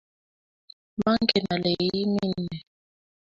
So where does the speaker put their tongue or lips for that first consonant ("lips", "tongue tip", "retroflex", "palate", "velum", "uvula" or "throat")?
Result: lips